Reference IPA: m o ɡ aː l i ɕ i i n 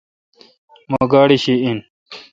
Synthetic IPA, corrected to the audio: m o ɡ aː ɽ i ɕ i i n